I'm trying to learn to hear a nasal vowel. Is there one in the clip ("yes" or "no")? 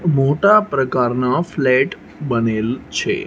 no